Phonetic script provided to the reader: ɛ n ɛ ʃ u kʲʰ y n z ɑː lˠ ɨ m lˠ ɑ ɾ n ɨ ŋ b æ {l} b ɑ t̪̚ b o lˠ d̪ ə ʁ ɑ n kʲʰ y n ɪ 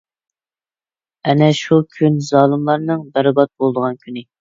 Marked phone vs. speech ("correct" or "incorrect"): incorrect